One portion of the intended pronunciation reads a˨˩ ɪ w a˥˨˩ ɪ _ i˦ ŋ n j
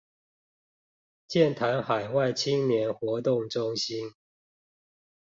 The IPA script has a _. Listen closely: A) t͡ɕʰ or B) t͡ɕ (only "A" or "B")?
A